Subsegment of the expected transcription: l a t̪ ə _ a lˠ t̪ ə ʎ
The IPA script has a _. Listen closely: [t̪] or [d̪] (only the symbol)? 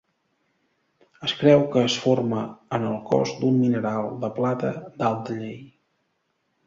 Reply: d̪